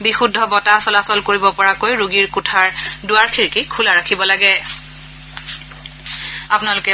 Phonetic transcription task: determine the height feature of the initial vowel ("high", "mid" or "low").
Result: high